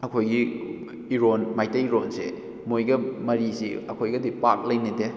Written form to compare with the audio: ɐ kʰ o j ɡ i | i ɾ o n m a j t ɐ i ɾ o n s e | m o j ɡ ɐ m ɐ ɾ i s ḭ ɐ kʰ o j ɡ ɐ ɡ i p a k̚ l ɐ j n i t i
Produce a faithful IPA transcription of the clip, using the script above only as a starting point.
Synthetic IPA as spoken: ɐ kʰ o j ɡ i | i ɾ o n m a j t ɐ i ɾ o n s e | m o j ɡ ɐ m ɐ ɾ i s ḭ ɐ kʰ o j ɡ ɐ d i p a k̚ l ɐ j n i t e